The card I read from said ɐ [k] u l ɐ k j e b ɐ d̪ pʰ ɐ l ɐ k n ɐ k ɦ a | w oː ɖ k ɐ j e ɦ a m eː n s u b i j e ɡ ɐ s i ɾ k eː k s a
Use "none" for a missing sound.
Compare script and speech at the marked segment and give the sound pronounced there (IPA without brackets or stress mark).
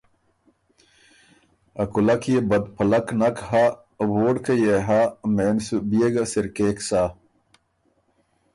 k